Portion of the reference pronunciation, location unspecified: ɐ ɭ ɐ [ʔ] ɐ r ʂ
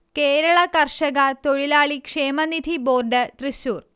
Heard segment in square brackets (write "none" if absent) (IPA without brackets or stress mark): k